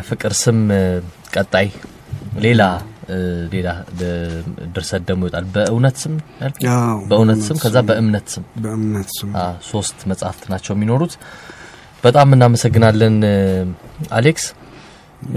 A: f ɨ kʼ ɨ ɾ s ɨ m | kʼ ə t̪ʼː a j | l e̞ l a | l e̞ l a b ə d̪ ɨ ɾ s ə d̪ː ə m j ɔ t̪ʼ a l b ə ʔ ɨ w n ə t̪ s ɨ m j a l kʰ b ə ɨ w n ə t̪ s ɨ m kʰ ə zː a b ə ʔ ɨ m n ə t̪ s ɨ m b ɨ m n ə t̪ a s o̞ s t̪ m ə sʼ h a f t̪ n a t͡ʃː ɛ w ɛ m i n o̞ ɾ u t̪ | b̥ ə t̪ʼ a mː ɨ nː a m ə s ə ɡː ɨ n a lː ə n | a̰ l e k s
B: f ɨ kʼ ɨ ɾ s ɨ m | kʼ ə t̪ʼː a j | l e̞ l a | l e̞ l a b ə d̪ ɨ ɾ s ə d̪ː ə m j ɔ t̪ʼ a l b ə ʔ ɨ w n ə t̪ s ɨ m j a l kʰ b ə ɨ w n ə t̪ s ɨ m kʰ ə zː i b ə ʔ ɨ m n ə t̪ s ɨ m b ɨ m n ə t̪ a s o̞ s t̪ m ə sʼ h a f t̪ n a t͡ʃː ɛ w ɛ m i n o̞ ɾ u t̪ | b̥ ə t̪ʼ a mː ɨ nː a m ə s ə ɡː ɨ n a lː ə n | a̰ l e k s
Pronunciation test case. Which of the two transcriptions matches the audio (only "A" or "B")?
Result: A